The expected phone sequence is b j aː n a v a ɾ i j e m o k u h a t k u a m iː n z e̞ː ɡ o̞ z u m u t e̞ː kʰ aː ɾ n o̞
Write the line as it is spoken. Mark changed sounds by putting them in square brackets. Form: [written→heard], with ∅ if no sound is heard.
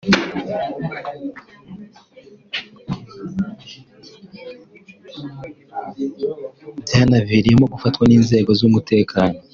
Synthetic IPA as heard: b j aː n a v [a→i] ɾ i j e m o [k→ɡ] u [h→f] a t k [u→w] a [m→n] iː n z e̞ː ɡ o̞ z u m u t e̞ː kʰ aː [ɾ→∅] n o̞